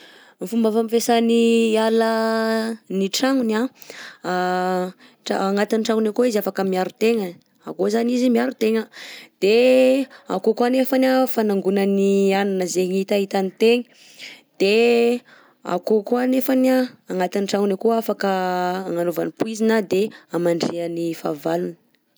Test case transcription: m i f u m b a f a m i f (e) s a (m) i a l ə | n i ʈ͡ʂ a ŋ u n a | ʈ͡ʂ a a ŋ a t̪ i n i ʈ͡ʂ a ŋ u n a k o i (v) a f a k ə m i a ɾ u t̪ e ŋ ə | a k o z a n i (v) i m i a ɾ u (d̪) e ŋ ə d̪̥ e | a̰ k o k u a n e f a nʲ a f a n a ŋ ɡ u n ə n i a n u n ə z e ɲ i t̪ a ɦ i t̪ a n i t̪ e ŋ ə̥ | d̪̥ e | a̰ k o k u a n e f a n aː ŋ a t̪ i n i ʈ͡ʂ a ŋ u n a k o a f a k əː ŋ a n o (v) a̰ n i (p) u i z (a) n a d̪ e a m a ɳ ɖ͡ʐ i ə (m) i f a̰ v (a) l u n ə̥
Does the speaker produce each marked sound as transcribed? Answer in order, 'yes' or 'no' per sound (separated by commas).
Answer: yes, no, no, no, no, yes, yes, no, no, yes